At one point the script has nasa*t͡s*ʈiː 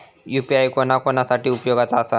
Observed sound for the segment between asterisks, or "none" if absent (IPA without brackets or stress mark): none